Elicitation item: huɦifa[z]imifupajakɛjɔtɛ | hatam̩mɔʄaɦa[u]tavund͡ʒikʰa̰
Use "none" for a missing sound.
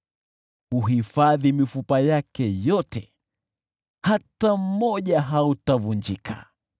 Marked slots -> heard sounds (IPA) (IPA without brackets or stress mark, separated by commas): ð, u